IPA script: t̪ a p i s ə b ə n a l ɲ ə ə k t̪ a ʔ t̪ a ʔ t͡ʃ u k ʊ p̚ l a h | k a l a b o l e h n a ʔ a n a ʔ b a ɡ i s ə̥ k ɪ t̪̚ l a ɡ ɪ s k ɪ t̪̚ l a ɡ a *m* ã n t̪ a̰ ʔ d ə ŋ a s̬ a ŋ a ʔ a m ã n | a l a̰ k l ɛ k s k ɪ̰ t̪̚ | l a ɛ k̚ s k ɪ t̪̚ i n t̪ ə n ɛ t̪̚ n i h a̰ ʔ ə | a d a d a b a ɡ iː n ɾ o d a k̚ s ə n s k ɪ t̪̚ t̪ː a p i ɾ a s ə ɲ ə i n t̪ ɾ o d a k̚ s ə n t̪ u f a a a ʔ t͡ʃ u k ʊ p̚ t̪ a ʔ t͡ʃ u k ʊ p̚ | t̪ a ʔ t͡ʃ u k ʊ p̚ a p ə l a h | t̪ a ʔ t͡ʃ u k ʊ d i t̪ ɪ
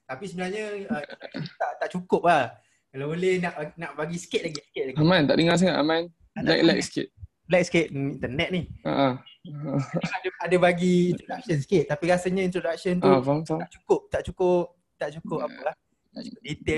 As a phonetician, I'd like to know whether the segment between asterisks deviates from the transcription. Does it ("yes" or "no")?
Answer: no